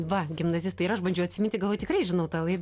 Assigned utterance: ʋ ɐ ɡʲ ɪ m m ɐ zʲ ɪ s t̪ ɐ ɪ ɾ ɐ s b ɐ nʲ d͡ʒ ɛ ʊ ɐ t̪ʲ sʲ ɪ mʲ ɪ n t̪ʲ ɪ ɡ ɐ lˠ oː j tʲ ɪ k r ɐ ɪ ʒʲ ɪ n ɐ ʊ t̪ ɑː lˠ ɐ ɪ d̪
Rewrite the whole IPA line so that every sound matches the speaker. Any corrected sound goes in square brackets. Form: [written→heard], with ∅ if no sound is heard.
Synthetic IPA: ʋ ɐ ɡʲ ɪ m [m→n] ɐ zʲ ɪ s t̪ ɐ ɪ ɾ ɐ [s→ʃ] b ɐ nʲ d͡ʒ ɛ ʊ ɐ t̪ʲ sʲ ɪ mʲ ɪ n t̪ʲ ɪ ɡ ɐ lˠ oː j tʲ ɪ k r ɐ ɪ ʒʲ ɪ n ɐ ʊ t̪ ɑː lˠ ɐ ɪ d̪